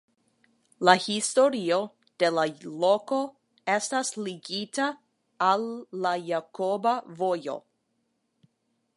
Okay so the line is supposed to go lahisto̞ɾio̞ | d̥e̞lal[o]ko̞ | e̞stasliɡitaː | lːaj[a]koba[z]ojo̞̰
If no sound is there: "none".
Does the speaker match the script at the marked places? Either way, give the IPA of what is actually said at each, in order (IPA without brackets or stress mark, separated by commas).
o, a, v